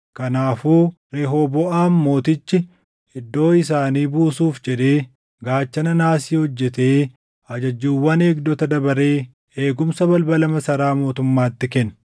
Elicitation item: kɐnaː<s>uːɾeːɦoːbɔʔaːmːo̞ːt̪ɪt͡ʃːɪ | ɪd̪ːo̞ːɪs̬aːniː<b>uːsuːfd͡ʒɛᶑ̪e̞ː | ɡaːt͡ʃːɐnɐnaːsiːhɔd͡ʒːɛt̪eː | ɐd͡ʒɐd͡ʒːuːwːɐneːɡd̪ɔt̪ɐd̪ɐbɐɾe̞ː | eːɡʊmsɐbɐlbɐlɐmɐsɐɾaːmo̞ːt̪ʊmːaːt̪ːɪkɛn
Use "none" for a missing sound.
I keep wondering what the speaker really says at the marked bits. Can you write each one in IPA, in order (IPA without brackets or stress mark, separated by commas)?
f, b